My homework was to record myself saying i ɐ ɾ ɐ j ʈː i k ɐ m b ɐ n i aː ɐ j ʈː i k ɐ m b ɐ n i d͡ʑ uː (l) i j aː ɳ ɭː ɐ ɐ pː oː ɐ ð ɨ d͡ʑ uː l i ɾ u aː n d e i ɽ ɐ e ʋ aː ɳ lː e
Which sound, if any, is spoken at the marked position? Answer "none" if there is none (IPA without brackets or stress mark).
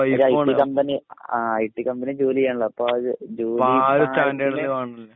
l